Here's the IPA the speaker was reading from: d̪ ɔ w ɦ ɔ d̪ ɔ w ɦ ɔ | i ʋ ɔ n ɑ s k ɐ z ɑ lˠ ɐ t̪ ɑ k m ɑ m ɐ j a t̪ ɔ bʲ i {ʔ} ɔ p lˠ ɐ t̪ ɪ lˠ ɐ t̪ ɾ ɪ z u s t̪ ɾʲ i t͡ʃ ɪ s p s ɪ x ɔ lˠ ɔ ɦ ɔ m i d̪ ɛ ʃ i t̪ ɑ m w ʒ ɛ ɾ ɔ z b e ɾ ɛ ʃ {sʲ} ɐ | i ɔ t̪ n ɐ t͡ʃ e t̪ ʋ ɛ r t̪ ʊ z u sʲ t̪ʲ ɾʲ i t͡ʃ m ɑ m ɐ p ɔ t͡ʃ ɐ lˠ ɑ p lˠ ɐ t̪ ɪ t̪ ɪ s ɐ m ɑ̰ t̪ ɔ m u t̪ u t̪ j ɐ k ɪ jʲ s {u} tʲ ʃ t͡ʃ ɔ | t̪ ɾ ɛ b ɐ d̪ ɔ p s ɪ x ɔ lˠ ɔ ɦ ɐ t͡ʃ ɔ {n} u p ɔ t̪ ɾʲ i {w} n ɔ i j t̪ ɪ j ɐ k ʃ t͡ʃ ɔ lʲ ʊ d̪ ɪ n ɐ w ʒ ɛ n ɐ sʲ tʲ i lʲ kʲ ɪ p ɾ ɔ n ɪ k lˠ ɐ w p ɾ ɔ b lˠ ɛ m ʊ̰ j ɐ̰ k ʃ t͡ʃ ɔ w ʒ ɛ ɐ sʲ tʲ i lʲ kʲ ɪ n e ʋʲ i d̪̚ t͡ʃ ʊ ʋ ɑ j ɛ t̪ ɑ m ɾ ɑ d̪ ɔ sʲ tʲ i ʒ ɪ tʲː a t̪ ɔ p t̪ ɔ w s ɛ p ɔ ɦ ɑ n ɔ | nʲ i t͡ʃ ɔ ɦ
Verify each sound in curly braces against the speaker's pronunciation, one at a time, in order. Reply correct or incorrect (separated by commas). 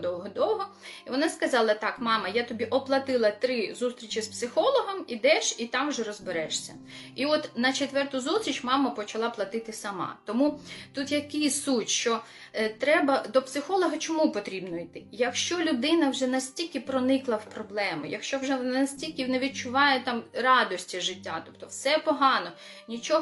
correct, correct, correct, incorrect, incorrect